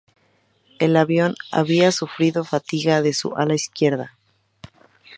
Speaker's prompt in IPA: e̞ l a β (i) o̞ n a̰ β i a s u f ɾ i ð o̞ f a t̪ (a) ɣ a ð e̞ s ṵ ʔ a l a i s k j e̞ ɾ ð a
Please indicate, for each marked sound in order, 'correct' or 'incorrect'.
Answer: incorrect, incorrect

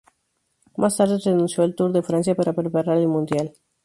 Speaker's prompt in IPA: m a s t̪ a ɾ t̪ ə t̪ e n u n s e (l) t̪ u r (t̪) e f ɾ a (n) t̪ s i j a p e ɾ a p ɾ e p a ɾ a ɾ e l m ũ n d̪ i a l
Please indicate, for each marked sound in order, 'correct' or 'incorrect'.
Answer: correct, incorrect, correct

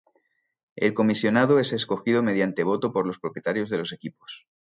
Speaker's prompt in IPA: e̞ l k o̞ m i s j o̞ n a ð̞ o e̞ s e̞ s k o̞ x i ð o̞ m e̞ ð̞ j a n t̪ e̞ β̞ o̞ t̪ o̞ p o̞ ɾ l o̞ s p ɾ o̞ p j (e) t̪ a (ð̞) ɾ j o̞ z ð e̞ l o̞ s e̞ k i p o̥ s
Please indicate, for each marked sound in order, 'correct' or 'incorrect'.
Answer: correct, incorrect

